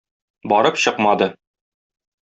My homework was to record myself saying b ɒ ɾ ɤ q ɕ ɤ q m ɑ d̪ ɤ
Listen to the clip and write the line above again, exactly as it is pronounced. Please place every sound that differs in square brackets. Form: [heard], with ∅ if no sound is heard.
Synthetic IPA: b ɒ ɾ ɤ [p] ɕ ɤ q m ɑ d̪ ɤ